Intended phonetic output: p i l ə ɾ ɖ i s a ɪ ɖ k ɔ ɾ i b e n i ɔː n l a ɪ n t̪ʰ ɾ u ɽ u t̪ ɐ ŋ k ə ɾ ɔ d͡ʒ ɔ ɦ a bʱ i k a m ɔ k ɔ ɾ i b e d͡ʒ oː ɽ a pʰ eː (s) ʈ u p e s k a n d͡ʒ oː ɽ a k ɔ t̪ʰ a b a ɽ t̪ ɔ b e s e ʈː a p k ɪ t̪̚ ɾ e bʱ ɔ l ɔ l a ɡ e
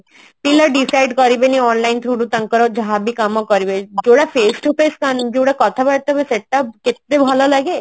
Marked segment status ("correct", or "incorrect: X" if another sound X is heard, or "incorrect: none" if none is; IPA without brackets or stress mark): correct